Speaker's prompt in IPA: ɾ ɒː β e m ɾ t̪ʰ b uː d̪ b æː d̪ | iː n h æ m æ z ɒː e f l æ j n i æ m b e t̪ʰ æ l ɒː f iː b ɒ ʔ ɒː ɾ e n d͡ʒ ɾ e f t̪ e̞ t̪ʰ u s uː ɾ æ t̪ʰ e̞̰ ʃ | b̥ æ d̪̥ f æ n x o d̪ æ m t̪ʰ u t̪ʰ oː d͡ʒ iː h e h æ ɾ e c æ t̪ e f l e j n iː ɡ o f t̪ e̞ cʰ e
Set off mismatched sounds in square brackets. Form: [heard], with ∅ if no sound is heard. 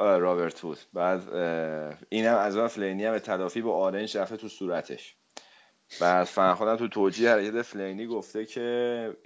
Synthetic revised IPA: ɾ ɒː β e [∅] ɾ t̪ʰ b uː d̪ b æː d̪ | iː n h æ m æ z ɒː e f l [e] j n i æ m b e t̪ʰ æ l ɒː f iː b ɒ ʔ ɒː ɾ e n d͡ʒ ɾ [æ] f t̪ e̞ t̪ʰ u s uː ɾ æ t̪ʰ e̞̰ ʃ | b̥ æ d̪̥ f æ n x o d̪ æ m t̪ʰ u t̪ʰ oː d͡ʒ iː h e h æ ɾ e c æ t̪ e f l e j n iː ɡ o f t̪ e̞ cʰ e